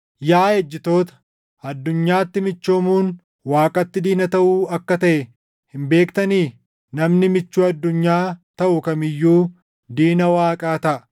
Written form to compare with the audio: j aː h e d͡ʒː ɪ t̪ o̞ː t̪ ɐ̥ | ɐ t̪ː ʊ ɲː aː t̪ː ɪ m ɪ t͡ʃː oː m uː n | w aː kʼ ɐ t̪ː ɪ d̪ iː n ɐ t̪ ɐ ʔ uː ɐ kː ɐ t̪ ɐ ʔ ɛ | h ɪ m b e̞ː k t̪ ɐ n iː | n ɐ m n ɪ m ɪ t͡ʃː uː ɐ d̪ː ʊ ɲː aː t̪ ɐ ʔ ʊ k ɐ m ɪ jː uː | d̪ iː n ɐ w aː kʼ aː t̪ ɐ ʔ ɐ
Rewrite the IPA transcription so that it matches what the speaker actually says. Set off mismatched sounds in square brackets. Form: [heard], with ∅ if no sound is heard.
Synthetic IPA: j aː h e d͡ʒː ɪ t̪ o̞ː t̪ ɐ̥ | ɐ [d̪ː] ʊ ɲː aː t̪ː ɪ m ɪ t͡ʃː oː m uː n | w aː kʼ ɐ t̪ː ɪ d̪ iː n ɐ t̪ ɐ ʔ uː ɐ kː ɐ t̪ ɐ ʔ ɛ | h ɪ m b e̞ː k t̪ ɐ n iː | n ɐ m n ɪ m ɪ t͡ʃː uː ɐ d̪ː ʊ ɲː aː t̪ ɐ ʔ ʊ k ɐ m ɪ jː uː | d̪ iː n ɐ w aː kʼ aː t̪ ɐ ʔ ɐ